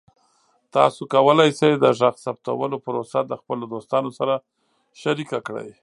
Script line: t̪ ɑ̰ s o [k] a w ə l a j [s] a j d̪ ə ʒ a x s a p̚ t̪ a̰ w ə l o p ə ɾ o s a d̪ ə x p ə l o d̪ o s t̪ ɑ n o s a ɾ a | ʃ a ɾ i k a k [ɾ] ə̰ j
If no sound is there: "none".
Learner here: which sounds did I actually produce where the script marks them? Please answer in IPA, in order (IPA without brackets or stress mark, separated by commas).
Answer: k, s, ɽ